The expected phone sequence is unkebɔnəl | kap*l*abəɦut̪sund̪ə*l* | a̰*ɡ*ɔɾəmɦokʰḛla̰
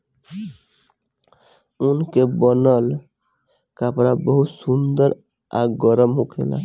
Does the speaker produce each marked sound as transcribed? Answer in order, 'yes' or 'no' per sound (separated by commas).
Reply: no, no, yes